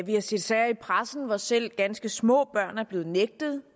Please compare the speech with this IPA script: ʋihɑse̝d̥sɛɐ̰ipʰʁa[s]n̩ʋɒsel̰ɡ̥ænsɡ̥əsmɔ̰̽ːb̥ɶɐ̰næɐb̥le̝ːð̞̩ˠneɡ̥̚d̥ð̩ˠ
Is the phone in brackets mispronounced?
no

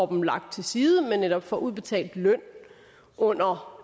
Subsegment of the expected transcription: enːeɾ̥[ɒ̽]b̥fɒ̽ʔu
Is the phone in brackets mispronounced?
no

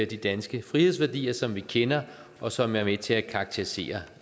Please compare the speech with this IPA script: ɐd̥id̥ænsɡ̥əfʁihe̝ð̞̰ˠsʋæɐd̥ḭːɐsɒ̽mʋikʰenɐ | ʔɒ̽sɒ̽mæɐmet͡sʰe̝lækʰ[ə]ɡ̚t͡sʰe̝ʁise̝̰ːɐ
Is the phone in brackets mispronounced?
yes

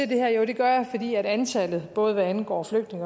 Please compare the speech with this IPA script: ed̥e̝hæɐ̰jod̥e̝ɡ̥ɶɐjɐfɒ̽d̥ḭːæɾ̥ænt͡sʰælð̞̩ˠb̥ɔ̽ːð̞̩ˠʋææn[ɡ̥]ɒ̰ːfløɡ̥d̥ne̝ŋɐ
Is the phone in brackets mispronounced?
no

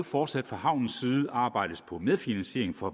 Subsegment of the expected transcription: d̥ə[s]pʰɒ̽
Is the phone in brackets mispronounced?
no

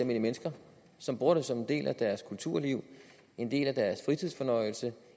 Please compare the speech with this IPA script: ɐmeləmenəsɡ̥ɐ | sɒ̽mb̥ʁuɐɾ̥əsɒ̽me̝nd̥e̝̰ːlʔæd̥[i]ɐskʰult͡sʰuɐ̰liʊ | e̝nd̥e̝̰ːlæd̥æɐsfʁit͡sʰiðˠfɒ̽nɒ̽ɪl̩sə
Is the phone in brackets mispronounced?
yes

